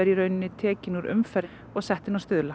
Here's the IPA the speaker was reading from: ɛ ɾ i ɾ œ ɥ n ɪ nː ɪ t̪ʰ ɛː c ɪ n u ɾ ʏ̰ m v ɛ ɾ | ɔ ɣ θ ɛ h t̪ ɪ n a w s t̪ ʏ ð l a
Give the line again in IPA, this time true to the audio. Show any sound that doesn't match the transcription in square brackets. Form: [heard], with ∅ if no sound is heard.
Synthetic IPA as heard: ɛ ɾ i ɾ œ ɥ n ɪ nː ɪ t̪ʰ ɛː c ɪ n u ɾ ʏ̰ m [f] ɛ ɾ | ɔ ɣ [s] ɛ h t̪ ɪ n a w s t̪ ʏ ð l a